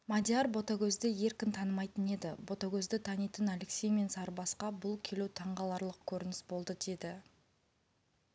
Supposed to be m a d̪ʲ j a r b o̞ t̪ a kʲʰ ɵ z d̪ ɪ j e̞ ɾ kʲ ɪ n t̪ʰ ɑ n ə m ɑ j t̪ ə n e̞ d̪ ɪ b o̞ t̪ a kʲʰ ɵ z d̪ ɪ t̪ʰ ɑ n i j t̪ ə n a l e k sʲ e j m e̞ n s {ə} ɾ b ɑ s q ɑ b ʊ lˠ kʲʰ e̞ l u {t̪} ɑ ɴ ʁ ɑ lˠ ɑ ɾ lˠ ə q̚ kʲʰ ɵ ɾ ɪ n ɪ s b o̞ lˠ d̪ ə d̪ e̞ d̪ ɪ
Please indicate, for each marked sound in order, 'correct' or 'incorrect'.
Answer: incorrect, incorrect

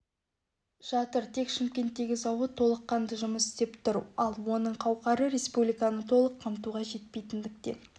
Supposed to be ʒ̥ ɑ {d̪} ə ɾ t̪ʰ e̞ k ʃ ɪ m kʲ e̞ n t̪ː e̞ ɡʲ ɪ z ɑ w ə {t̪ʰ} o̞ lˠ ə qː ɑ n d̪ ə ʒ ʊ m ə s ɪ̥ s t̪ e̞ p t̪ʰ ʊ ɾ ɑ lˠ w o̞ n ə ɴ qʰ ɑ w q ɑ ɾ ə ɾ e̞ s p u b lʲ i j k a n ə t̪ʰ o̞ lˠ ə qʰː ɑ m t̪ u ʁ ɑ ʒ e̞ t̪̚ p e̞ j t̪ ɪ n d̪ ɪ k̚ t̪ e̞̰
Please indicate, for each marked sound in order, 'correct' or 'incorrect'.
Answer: incorrect, correct

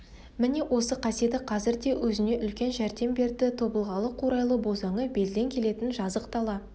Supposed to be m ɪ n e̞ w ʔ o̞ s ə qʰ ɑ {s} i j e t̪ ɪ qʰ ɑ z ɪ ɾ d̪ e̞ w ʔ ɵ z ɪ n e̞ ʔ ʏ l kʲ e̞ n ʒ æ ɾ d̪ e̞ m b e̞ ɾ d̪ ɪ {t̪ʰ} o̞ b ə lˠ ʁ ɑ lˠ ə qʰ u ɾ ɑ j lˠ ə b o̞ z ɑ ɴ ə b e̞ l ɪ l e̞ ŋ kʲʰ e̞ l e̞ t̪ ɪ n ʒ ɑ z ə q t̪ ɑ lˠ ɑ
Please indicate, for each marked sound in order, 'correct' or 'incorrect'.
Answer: correct, correct

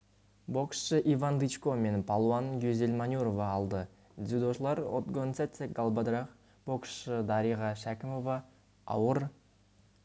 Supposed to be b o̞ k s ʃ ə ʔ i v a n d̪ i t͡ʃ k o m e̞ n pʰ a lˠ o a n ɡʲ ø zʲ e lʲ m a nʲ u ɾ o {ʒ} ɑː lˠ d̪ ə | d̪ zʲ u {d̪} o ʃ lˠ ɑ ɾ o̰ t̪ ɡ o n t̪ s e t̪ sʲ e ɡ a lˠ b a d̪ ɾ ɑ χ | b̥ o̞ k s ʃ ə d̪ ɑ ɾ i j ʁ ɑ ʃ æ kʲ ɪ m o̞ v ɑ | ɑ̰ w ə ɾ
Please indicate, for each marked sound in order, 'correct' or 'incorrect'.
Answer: incorrect, correct

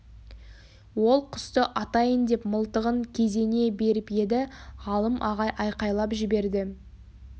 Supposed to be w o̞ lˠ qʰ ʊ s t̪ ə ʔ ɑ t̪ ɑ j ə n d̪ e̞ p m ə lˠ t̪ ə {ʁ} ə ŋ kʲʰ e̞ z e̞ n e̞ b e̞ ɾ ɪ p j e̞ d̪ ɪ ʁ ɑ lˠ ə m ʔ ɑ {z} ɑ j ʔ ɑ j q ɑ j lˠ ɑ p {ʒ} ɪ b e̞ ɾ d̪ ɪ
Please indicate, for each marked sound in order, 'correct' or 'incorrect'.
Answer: correct, incorrect, correct

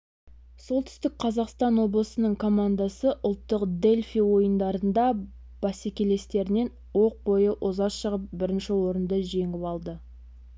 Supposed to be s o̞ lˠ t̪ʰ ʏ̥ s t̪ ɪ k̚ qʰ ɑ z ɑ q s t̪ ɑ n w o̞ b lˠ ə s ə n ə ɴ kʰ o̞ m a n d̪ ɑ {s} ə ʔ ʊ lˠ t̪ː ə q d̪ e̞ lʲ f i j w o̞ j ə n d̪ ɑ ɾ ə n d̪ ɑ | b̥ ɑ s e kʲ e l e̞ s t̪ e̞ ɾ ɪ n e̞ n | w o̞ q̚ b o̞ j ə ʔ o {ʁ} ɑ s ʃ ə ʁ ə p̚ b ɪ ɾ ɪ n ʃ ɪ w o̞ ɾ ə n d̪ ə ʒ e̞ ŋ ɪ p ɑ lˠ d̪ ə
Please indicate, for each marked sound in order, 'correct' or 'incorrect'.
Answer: correct, incorrect

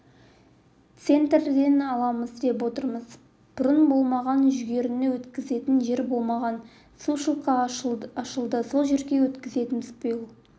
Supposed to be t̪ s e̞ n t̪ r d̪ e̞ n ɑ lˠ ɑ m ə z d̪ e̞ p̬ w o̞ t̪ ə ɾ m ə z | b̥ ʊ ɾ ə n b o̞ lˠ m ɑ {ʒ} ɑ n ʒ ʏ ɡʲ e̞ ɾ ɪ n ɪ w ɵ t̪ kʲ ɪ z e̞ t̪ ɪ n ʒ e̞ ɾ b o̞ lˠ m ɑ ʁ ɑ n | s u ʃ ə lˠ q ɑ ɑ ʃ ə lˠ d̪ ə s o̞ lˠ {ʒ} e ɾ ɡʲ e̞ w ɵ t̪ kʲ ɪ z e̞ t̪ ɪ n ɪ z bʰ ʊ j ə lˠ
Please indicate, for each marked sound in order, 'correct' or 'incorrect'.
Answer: incorrect, correct

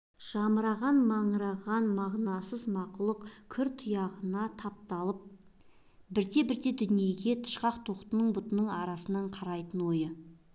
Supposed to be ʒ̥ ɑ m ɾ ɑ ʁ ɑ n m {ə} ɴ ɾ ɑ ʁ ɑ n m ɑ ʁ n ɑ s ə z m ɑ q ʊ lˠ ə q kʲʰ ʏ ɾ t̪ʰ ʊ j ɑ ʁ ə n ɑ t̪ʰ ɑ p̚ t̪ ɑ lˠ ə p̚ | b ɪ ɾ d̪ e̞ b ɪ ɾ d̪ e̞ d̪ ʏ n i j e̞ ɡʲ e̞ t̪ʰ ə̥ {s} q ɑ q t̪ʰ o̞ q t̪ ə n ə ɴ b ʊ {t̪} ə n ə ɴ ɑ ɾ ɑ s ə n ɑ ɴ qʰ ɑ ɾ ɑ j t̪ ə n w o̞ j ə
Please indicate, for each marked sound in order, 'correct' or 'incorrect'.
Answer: incorrect, incorrect, correct

